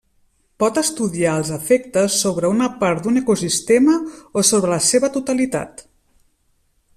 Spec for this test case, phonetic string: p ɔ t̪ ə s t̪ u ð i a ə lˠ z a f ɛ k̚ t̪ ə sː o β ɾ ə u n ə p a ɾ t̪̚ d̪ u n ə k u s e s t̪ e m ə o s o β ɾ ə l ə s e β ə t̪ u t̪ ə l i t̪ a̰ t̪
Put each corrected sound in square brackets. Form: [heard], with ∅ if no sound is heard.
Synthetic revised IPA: p ɔ t̪ ə s t̪ u ð i a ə lˠ z [ə] f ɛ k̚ t̪ ə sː o β ɾ ə u n ə p a ɾ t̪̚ d̪ u n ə k u s [i] s t̪ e m ə o s o β ɾ ə l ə s e β ə t̪ u t̪ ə l i t̪ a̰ t̪